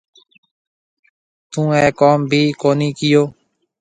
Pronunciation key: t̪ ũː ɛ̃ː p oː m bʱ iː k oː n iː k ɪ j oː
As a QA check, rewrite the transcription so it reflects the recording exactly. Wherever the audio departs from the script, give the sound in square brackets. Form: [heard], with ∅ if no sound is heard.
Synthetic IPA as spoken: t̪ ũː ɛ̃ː [k] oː m bʱ iː k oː n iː k ɪ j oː